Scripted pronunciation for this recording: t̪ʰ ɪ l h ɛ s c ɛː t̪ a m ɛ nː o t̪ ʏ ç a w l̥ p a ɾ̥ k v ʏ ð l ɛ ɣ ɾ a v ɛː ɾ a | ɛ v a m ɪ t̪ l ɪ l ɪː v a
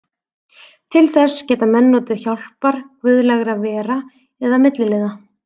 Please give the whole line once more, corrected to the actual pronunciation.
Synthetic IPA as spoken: t̪ʰ ɪ l θ ɛ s c ɛː t̪ a m ɛ nː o t̪ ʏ ç a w l̥ p a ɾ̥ k v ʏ ð l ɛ ɣ ɾ a v ɛː ɾ a | ɛ ð a m ɪ t̪ l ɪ l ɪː ð a